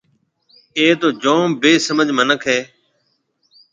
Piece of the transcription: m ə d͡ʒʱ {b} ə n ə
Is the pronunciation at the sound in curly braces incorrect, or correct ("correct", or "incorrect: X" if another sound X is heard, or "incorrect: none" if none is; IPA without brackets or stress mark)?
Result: incorrect: m